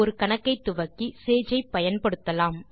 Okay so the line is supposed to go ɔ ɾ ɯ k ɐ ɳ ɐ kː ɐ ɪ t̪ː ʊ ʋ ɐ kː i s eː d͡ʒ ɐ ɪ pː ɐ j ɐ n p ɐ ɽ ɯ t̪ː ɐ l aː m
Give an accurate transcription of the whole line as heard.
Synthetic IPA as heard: ɔ ɾ ɯ k ɐ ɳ ɐ kː ɐ ɪ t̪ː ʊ ʋ ɐ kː i s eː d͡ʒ ɐ ɪ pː ɐ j ɐ n p ɐ ɽ ɯ t̪ː ɐ l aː m